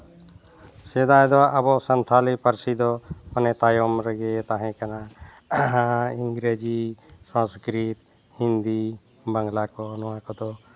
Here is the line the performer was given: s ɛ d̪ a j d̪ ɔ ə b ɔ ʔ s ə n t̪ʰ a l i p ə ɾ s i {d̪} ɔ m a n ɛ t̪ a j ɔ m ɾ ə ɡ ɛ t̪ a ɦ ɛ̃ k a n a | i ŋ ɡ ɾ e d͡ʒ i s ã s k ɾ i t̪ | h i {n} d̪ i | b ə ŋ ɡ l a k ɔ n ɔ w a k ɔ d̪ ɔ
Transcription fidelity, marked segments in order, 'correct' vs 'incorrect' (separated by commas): correct, correct